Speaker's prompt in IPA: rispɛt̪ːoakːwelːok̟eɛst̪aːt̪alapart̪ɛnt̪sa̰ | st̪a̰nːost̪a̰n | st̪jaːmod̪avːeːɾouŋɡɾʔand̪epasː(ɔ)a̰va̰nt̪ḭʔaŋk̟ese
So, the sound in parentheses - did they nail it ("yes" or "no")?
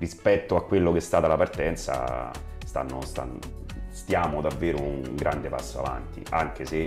no